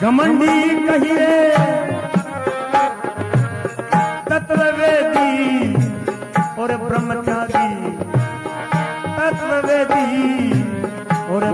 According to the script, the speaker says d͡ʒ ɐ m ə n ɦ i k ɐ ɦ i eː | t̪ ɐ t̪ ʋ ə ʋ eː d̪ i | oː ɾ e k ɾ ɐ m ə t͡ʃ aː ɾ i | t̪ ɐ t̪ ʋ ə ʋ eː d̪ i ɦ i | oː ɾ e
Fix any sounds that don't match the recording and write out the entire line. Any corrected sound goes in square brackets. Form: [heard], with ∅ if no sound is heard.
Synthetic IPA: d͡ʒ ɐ m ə n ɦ i k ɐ ɦ i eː | t̪ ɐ t̪ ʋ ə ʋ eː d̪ i | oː ɾ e [p] ɾ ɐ m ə t͡ʃ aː ɾ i | t̪ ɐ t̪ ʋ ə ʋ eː d̪ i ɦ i | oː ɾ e

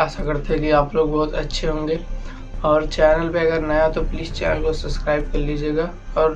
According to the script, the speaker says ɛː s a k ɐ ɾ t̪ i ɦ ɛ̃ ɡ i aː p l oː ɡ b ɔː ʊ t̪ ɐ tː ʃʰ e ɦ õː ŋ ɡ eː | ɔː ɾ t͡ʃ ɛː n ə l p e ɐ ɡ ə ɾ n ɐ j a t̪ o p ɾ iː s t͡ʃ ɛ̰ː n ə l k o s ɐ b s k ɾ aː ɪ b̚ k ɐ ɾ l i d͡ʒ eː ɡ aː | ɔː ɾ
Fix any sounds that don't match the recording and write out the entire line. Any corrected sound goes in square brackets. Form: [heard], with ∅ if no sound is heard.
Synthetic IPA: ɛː s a k ɐ ɾ t̪ [e] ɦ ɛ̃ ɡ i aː p l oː ɡ b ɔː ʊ t̪ ɐ tː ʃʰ e ɦ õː ŋ ɡ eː | ɔː ɾ t͡ʃ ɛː n ə l p e ɐ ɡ ə ɾ n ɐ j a t̪ o p [l] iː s t͡ʃ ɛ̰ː n ə l k o s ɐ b s k ɾ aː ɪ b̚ k ɐ ɾ l i d͡ʒ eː ɡ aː | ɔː ɾ

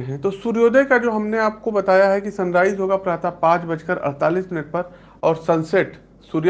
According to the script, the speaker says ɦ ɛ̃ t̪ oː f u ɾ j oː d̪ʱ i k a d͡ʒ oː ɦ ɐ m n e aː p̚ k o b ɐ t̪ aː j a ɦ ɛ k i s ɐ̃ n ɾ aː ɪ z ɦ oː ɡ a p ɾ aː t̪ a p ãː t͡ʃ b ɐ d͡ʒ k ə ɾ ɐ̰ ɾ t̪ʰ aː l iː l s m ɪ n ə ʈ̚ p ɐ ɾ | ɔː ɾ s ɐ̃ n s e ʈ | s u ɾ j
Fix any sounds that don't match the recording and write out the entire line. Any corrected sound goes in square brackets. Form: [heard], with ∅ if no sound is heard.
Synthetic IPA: ɦ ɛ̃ t̪ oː [s] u ɾ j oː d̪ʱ [e] k a d͡ʒ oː ɦ ɐ m n e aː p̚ k o b ɐ t̪ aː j a ɦ ɛ k i s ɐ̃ n ɾ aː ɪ z ɦ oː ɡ a p ɾ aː t̪ a p ãː t͡ʃ b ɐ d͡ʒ k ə ɾ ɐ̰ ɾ [t̪] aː l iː [∅] s m ɪ n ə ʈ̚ p ɐ ɾ | ɔː ɾ s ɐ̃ n s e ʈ | s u ɾ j

